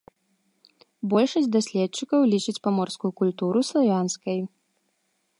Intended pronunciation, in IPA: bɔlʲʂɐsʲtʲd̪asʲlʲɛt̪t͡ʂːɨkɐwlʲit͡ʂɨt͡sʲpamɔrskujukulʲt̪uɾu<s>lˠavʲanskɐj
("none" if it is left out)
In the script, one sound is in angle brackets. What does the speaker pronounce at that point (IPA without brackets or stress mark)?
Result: s